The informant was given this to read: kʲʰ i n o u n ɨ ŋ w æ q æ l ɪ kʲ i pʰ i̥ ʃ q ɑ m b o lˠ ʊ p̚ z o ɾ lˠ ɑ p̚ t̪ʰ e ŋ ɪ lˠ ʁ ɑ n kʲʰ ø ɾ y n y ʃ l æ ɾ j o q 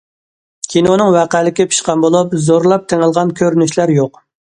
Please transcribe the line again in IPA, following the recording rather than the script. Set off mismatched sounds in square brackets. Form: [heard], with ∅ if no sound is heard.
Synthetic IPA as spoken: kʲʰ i n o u n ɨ ŋ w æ q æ l ɪ kʲ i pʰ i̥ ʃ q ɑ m b o lˠ [u] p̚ z o ɾ lˠ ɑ p̚ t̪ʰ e ŋ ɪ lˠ ʁ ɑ n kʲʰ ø ɾ y n y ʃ l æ ɾ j o q